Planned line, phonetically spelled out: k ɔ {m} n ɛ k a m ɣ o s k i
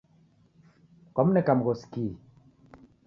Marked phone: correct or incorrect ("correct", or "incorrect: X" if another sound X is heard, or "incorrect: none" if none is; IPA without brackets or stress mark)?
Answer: correct